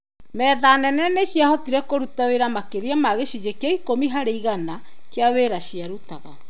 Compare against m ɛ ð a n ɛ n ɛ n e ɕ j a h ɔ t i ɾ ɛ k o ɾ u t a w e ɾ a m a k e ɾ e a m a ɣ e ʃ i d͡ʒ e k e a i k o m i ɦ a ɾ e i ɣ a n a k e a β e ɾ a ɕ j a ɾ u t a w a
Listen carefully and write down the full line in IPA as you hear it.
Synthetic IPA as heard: m ɛ ð a n ɛ n ɛ n e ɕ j a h ɔ t i ɾ ɛ k o ɾ u t a w e ɾ a m a k e ɾ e a m a ɣ e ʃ i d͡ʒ e k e a i k o m i ɦ a ɾ e i ɣ a n a k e a w e ɾ a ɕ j a ɾ u t a ɣ a